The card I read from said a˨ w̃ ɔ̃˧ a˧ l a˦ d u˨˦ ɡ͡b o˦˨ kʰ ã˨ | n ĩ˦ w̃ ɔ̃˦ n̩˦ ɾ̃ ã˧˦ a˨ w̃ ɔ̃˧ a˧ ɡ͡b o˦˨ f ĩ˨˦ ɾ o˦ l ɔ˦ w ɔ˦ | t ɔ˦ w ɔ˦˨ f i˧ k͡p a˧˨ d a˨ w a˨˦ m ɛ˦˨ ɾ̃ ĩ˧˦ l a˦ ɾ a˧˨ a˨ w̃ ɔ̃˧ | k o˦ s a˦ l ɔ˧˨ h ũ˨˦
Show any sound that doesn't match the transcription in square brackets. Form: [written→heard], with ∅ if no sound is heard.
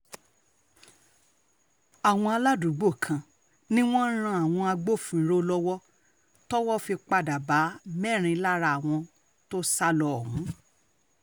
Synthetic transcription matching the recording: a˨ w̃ ɔ̃˧ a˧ l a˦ d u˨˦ ɡ͡b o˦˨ kʰ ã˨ | n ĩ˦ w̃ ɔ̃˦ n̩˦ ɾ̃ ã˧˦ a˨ w̃ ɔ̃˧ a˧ ɡ͡b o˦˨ f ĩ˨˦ ɾ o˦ l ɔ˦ w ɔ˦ | t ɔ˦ w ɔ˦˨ f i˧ k͡p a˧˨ d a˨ [w→b] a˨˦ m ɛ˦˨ ɾ̃ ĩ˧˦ l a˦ ɾ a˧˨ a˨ w̃ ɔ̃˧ | [k→t] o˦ s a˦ l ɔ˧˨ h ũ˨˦